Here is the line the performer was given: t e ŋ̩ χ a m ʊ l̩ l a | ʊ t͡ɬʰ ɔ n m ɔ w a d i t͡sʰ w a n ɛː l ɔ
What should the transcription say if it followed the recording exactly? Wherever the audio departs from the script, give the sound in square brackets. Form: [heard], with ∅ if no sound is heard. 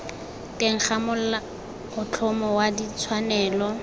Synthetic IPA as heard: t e ŋ̩ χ a m ʊ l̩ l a | ʊ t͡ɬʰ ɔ [∅] m ɔ w a d i t͡sʰ w a n ɛː l ɔ